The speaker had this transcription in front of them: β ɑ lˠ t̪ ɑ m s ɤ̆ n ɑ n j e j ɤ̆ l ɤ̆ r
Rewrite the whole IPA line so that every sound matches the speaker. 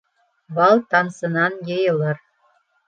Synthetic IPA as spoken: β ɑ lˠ t̪ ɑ n s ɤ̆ n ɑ n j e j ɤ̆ l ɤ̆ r